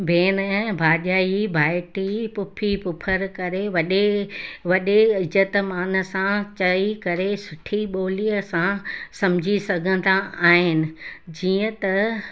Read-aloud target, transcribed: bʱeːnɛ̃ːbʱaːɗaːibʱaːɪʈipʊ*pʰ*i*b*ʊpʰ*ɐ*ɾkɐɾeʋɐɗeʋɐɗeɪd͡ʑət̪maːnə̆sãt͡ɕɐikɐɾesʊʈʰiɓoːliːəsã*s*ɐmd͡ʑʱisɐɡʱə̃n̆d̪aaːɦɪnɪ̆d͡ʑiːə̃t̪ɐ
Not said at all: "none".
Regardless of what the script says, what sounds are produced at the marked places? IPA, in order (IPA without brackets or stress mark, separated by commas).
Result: pʰ, p, ə, s